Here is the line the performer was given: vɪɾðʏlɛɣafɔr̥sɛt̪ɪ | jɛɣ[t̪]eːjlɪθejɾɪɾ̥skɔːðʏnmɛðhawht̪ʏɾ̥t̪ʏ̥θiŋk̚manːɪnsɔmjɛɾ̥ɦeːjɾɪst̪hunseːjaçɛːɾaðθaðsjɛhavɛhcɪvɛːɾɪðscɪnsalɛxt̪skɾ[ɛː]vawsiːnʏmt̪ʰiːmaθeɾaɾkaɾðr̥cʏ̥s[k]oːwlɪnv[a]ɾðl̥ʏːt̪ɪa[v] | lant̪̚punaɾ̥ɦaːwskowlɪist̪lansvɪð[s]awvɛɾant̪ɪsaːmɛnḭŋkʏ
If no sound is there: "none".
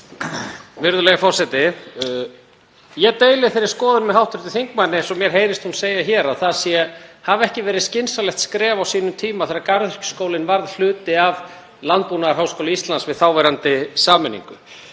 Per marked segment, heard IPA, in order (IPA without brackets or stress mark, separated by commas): t̪, ɛː, k, a, v, θ